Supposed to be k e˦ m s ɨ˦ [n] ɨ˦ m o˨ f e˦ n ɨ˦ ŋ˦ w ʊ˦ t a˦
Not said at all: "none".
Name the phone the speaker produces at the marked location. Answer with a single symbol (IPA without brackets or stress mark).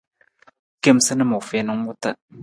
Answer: n